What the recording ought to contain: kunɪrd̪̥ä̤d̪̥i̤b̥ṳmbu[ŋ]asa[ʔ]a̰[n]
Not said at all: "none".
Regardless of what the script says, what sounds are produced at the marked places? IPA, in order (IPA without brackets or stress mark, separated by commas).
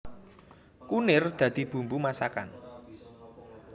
m, k, n